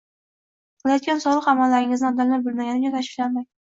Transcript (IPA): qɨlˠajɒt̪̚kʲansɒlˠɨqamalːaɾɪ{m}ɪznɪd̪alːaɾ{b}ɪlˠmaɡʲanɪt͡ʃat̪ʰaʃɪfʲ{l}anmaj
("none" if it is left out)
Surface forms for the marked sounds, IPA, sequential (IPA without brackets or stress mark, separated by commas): ŋ, b, l